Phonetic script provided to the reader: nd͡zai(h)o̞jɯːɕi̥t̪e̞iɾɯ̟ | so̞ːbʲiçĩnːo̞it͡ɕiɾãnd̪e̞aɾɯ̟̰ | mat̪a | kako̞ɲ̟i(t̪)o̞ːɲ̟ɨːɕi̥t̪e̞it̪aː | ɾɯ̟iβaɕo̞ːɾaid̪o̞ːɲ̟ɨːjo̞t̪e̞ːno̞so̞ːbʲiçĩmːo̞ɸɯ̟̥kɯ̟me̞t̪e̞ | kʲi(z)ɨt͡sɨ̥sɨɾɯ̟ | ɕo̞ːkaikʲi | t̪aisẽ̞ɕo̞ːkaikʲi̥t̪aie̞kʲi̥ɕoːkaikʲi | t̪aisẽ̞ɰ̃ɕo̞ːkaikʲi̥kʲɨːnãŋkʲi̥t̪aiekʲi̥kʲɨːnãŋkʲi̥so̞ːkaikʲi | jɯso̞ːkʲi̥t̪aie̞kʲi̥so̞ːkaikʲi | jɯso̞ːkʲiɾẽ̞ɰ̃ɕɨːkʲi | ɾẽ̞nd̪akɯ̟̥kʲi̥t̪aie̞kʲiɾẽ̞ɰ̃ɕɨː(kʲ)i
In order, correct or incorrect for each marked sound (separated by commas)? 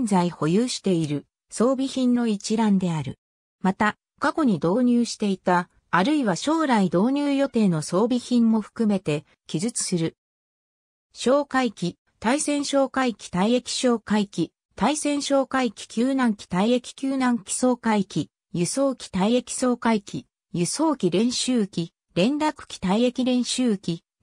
correct, incorrect, correct, correct